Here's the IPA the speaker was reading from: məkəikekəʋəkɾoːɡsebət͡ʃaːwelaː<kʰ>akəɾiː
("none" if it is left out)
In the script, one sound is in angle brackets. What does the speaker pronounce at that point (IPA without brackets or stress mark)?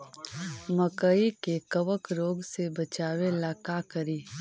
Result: k